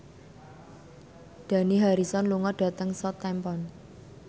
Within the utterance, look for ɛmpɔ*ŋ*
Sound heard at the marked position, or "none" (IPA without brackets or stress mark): n